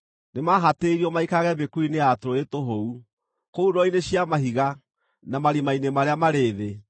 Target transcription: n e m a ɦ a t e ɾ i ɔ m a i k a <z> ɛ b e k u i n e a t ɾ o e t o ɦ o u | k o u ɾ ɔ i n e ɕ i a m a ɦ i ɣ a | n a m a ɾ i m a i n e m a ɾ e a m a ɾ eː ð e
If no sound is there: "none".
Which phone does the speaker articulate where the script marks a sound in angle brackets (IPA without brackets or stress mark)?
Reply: ɣ